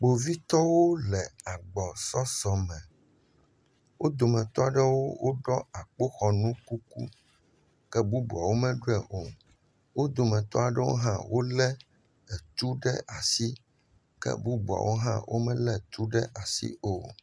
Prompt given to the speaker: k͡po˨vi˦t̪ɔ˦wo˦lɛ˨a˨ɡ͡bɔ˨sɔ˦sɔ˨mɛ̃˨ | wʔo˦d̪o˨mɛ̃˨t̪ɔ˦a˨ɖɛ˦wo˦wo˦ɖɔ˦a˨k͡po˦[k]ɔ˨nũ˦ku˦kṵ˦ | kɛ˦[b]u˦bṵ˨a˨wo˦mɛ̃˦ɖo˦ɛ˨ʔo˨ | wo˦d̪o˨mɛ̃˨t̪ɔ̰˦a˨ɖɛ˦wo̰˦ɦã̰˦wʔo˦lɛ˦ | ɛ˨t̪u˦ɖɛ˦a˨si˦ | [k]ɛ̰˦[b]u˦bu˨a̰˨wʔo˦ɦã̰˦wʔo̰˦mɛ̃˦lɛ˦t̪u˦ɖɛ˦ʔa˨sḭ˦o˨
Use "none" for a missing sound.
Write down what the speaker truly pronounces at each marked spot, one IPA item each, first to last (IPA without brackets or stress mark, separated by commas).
x, b, k, b